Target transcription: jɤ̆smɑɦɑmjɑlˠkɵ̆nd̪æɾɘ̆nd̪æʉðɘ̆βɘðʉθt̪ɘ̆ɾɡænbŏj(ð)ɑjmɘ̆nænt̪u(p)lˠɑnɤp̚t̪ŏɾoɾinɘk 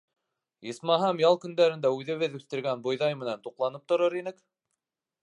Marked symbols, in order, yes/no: yes, no

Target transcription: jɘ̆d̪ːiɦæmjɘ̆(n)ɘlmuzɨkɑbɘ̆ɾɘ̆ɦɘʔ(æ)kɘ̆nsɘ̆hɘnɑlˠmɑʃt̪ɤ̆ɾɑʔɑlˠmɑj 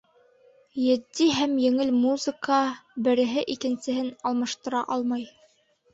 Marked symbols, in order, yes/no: no, no

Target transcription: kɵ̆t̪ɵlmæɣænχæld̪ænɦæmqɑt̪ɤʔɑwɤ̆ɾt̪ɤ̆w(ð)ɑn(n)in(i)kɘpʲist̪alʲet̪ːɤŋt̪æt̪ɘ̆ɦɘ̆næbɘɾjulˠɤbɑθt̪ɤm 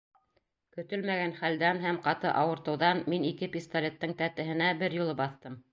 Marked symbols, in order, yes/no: yes, no, yes

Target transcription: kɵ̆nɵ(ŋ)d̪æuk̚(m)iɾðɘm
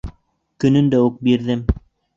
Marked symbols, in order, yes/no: no, no

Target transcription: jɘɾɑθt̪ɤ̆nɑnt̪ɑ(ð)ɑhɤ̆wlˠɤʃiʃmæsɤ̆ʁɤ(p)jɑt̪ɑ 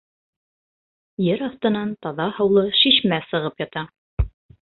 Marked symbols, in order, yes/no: yes, yes

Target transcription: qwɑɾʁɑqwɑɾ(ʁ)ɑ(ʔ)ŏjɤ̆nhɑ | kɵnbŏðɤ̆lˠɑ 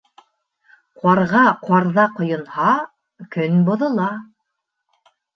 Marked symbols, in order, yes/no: no, no

